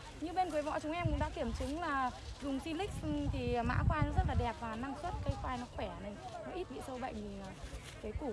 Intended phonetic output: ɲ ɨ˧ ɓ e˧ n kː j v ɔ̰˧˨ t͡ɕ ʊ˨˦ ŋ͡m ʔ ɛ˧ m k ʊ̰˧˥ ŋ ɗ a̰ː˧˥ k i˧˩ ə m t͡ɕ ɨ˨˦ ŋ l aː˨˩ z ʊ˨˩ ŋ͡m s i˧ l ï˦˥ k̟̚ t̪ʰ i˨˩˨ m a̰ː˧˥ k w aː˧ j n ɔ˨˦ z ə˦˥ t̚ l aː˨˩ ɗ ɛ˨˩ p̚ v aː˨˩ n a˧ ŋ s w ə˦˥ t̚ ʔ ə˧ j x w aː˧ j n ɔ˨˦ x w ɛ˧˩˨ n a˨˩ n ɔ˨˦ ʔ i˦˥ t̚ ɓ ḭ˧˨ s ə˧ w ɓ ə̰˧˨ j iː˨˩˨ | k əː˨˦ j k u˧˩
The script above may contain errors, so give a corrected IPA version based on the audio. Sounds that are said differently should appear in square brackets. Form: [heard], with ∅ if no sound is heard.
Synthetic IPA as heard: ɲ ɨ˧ ɓ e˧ n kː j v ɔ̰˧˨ t͡ɕ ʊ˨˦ ŋ͡m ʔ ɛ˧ m k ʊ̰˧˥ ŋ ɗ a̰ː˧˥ k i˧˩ ə m t͡ɕ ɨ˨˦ ŋ l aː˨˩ z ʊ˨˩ ŋ͡m s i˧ l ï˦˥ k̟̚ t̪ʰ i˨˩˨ m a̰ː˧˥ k w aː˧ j n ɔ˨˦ z ə˦˥ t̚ l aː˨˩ ɗ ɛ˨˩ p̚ v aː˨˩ n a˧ ŋ s w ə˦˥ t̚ [k] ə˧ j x w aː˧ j n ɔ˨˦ x w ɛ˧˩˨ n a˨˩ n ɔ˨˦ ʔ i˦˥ t̚ ɓ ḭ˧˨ s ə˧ w ɓ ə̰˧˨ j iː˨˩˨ | k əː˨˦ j k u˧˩

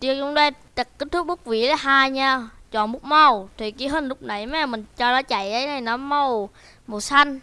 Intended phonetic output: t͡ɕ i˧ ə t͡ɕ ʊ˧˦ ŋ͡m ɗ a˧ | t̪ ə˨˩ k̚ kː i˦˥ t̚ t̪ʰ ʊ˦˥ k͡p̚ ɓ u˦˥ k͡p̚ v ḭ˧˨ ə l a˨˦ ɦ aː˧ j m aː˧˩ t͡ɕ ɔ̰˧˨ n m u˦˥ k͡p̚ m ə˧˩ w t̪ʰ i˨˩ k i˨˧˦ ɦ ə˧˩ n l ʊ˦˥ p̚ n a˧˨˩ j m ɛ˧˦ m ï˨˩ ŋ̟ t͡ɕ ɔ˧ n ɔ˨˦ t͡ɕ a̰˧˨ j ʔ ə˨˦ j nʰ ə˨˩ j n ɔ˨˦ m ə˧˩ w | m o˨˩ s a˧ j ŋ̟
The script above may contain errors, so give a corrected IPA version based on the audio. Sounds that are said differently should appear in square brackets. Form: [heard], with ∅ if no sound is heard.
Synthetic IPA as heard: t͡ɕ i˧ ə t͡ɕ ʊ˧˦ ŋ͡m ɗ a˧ | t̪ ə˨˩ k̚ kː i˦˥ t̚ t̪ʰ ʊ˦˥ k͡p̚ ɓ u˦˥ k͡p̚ v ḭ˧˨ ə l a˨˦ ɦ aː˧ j [ɲ] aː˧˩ t͡ɕ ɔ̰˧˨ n m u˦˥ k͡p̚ m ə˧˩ w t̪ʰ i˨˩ k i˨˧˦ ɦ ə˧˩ n l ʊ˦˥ [k͡p̚] n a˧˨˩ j m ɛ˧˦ m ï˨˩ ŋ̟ t͡ɕ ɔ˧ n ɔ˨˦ t͡ɕ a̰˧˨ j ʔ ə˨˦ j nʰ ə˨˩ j n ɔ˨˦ m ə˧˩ w | m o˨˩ s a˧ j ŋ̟

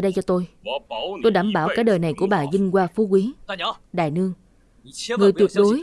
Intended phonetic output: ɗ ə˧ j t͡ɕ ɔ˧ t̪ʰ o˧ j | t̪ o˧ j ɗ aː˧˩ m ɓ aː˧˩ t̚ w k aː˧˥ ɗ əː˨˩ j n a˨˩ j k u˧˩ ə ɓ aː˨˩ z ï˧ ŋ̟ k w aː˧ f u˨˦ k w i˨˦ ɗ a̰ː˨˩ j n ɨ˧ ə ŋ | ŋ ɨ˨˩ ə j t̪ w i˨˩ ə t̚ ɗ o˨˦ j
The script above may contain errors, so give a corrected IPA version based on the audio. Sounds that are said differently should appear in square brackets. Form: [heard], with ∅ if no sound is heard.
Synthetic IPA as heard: ɗ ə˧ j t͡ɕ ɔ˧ [t̪] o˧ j | t̪ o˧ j ɗ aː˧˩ m ɓ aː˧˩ [∅] w k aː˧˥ ɗ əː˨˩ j n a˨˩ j k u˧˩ ə ɓ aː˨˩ z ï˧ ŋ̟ k w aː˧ f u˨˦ k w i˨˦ ɗ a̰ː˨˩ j n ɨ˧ ə ŋ | ŋ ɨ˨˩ ə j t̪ w i˨˩ ə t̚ ɗ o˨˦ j

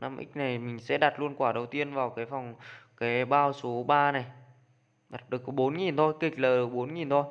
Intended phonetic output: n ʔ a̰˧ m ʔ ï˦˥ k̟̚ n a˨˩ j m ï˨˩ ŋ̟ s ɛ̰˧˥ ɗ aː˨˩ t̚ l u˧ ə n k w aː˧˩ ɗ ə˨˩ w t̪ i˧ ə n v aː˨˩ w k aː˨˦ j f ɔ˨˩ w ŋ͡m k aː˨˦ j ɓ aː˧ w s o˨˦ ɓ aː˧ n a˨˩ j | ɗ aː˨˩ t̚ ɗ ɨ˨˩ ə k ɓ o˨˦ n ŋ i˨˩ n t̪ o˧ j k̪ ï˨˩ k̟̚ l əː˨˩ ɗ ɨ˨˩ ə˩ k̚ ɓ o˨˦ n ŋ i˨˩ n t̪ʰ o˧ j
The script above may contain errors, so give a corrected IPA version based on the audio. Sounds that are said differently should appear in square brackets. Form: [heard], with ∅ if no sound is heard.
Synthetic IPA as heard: n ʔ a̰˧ m ʔ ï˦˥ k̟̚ n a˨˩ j m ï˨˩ ŋ̟ s ɛ̰˧˥ ɗ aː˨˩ t̚ l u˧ ə n k w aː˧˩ ɗ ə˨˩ w t̪ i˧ ə n v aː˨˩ w k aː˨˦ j f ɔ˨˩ w ŋ͡m k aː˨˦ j ɓ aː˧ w s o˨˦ ɓ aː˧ n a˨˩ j | ɗ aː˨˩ t̚ ɗ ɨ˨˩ ə k ɓ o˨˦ n ŋ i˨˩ n [t̪ʰ] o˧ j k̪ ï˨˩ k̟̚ l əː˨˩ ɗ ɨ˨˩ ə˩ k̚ ɓ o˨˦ n ŋ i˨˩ n t̪ʰ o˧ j

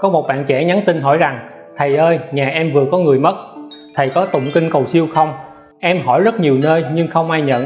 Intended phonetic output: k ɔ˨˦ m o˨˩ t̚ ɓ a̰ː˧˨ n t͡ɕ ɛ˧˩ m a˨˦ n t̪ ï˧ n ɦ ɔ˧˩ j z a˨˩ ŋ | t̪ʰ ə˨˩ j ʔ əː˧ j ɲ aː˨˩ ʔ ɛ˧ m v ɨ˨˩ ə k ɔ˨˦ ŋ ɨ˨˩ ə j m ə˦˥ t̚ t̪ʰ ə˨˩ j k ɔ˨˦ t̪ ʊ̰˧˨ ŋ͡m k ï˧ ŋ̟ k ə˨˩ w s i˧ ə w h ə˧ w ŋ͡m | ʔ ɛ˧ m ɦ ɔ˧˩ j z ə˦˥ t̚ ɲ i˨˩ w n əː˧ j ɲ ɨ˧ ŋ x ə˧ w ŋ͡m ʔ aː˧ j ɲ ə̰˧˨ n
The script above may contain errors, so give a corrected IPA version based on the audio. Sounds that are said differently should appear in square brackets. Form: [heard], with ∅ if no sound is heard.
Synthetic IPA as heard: k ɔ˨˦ m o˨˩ t̚ ɓ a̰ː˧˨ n t͡ɕ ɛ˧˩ [ɲ] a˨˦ n t̪ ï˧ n ɦ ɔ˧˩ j z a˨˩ ŋ | t̪ʰ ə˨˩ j ʔ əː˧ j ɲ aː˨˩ ʔ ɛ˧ m v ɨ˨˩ ə k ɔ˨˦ ŋ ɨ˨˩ ə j m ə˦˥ t̚ t̪ʰ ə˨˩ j k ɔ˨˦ t̪ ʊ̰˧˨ ŋ͡m k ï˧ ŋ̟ k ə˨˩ w s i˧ ə w [x] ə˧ w ŋ͡m | ʔ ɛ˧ m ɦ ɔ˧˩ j z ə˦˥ t̚ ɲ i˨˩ w n əː˧ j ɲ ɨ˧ ŋ x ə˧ w ŋ͡m ʔ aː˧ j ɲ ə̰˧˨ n

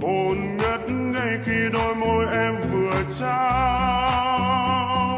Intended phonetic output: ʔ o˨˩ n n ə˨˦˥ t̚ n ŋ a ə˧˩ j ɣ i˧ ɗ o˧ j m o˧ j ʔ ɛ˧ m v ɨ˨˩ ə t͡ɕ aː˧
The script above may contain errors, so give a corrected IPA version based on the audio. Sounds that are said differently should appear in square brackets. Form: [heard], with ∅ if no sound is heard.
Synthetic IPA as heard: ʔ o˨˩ n [ŋ] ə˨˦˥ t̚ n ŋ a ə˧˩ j [x] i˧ ɗ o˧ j m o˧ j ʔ ɛ˧ m v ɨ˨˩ ə t͡ɕ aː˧

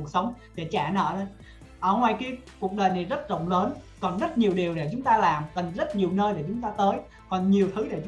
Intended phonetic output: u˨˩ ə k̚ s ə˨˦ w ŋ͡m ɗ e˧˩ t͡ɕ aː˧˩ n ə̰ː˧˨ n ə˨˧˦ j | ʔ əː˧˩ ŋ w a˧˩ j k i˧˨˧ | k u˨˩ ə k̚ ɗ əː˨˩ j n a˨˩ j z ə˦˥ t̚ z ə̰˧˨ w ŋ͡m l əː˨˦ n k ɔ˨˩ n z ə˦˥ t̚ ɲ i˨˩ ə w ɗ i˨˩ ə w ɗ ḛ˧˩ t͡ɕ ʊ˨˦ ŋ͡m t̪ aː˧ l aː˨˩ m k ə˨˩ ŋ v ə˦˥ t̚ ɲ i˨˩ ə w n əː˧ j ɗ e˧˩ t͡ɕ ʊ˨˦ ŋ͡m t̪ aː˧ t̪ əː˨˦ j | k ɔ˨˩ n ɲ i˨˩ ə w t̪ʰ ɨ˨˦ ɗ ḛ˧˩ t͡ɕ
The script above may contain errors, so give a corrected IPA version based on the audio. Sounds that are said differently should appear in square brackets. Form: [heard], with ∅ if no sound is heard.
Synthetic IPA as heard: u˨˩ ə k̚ s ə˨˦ w ŋ͡m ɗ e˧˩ t͡ɕ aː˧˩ n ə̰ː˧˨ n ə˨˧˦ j | ʔ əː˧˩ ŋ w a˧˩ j k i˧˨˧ | k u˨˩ ə k̚ ɗ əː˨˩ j n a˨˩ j z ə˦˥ t̚ z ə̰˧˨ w ŋ͡m l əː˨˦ n k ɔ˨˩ n z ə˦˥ t̚ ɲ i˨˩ ə w ɗ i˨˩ ə w ɗ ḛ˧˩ t͡ɕ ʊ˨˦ ŋ͡m t̪ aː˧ l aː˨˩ m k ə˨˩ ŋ [z] ə˦˥ t̚ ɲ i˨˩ ə w n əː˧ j ɗ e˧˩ t͡ɕ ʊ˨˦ ŋ͡m t̪ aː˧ t̪ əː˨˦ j | k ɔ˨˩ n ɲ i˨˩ ə w t̪ʰ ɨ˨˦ ɗ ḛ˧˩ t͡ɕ

